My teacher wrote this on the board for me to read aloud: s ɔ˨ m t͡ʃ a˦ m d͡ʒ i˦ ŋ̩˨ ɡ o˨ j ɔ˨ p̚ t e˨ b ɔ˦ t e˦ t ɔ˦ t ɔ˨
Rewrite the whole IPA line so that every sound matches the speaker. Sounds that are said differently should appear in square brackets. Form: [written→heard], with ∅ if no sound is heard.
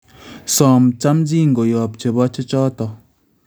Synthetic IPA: s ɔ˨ m t͡ʃ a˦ m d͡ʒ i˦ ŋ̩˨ ɡ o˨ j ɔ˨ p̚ [t→t͡ʃ] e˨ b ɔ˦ [t→t͡ʃ] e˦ [t→t͡ʃ] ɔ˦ t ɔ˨